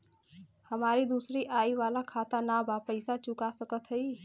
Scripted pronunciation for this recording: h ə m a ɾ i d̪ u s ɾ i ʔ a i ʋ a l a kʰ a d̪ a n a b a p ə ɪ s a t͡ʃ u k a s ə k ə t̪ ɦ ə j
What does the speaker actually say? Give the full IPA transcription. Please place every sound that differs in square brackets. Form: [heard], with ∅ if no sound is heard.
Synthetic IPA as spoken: h ə m a ɾ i d̪ u s ɾ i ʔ a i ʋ a l a kʰ a [t̪] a n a b a p ə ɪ s a t͡ʃ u k a s ə k ə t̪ ɦ ə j